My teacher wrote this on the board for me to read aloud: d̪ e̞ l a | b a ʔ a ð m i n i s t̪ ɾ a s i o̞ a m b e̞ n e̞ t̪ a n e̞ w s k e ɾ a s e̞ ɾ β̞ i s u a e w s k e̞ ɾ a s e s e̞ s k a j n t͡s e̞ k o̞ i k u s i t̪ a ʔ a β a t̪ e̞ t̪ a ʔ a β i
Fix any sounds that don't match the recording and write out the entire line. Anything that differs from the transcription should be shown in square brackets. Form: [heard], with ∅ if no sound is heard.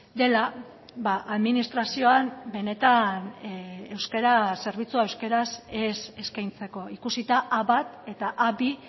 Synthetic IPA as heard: d̪ e̞ l a | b a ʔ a ð m i n i s t̪ ɾ a s i o̞ a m b e̞ n e̞ t̪ a n e̞ w s k e ɾ a s e̞ ɾ β̞ i [t͡s] u a e w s k e̞ ɾ a s e s e̞ s k a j n t͡s e̞ k o̞ i k u s i t̪ a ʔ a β a t̪ e̞ t̪ a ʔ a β i

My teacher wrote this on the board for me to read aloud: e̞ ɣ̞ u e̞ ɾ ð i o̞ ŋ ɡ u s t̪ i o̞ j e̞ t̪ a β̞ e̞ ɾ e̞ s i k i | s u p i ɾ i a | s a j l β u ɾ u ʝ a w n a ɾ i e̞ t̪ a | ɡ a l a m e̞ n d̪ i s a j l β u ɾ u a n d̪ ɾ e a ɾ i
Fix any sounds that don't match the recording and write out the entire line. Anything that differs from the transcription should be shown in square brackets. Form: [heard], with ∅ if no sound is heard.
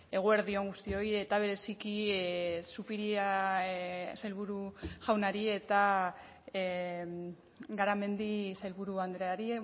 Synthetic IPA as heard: e̞ ɣ̞ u e̞ ɾ ð i o̞ ŋ ɡ u s t̪ i o̞ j e̞ t̪ a β̞ e̞ ɾ e̞ s i k i | s u p i ɾ i a | s a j l β u ɾ u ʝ a w n a ɾ i e̞ t̪ a | ɡ a [ɾ] a m e̞ n d̪ i s a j l β u ɾ u a n d̪ ɾ e a ɾ i

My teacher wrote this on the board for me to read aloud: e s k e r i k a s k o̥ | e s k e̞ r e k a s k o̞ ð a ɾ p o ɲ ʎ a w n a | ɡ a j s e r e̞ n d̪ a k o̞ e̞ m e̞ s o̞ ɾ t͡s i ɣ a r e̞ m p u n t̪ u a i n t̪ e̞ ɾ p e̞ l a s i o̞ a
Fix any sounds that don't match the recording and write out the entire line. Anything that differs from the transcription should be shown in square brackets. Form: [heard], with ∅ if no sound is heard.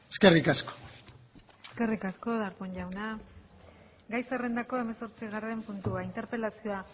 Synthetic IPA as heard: e s k e r i k a s k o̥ | e s k e̞ r [i] k a s k o̞ ð a ɾ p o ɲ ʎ a w n a | ɡ a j s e r e̞ n d̪ a k o̞ e̞ m e̞ s o̞ ɾ t͡s i ɣ a r e̞ m p u n t̪ u a i n t̪ e̞ ɾ p e̞ l a s i o̞ a

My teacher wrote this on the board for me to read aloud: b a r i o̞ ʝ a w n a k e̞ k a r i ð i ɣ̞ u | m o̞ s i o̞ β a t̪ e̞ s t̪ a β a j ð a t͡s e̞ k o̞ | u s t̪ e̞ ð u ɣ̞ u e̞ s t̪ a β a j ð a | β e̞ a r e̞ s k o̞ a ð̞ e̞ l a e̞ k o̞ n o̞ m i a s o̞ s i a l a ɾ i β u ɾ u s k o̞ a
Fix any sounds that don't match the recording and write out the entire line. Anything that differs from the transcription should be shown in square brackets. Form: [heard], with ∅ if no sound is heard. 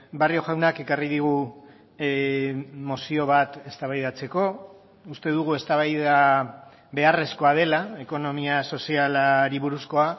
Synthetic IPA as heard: b a r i o̞ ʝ a w n a k e̞ k a r i ð i ɣ̞ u | m o̞ s i o̞ β a t̪ e̞ s t̪ a β a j ð a t͡s e̞ k o̞ | u s t̪ e̞ ð u ɣ̞ u e̞ s t̪ a β a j ð a | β e̞ a r e̞ s k o̞ a ð̞ e̞ l a e̞ k o̞ n o̞ m i a s o̞ s i a l a ɾ i β u ɾ u s k o̞ a

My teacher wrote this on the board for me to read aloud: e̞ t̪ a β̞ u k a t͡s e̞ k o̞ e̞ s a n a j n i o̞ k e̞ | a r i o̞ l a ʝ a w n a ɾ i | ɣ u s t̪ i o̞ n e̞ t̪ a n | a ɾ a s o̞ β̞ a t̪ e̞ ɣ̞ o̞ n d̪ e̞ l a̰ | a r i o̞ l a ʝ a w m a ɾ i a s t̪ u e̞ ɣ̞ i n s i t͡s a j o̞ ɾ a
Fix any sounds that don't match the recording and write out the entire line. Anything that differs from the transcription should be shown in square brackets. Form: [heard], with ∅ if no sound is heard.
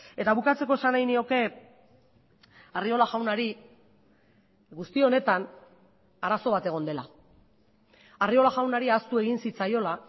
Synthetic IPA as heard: e̞ t̪ a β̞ u k a t͡s e̞ k o̞ e̞ s a n a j n i o̞ k e̞ | a r i o̞ l a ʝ a w n a ɾ i | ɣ u s t̪ i o̞ n e̞ t̪ a n | a ɾ a s o̞ β̞ a t̪ e̞ ɣ̞ o̞ n d̪ e̞ l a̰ | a r i o̞ l a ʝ a w [n] a ɾ i a s t̪ u e̞ ɣ̞ i n s i t͡s a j o̞ [l] a

